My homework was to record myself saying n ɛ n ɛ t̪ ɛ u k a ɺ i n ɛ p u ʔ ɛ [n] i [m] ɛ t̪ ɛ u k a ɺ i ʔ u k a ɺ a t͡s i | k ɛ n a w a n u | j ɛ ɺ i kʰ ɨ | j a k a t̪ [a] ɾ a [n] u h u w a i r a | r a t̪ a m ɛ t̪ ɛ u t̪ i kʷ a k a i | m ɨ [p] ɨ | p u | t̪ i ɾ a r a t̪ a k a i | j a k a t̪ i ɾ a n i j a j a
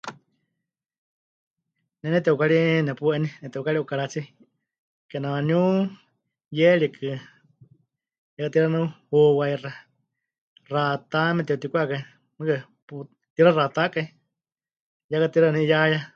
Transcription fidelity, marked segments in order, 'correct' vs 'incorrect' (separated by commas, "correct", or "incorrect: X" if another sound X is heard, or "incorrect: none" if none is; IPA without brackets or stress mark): correct, incorrect: n, incorrect: i, correct, incorrect: k